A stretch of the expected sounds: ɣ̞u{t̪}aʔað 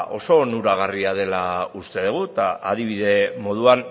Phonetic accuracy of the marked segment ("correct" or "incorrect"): correct